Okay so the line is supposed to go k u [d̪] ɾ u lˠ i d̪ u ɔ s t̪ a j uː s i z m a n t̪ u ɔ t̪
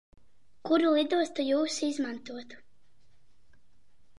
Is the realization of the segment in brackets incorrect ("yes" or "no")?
yes